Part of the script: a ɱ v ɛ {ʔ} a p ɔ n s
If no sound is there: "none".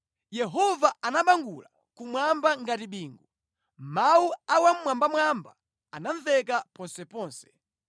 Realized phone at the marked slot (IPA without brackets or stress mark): k